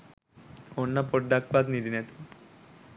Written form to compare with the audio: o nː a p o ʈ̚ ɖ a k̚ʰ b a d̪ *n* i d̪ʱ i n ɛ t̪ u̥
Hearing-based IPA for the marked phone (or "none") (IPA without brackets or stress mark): n